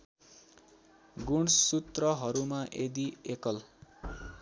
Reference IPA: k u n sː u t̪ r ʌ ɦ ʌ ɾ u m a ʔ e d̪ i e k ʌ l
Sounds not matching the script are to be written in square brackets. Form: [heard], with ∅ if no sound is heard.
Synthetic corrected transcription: [ɡ] u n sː u t̪ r ʌ ɦ ʌ ɾ u m a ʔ e d̪ i e k ʌ l